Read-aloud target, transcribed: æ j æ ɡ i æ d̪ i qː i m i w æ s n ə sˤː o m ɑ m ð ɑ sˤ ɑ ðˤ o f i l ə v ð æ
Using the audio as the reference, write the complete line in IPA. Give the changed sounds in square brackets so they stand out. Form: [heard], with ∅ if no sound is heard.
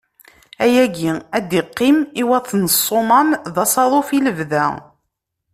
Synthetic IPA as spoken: æ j æ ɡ i æ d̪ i qː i m i w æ [θ] n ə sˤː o m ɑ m ð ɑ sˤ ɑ ðˤ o f i l ə v ð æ